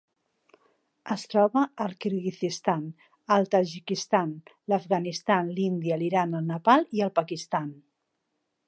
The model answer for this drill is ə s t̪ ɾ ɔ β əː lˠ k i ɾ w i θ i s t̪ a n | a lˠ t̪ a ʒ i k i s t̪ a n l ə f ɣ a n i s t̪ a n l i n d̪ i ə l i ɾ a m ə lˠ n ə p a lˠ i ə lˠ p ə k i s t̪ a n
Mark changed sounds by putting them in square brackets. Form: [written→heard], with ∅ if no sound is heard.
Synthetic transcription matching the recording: ə s t̪ ɾ ɔ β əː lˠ k i ɾ [w→ɣ] i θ i s t̪ a n | [a→ə] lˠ t̪ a ʒ i k i s t̪ a n l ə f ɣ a n i s t̪ a n l i n d̪ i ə l i ɾ a [m→n] ə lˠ n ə p a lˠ i ə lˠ p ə k i s t̪ a n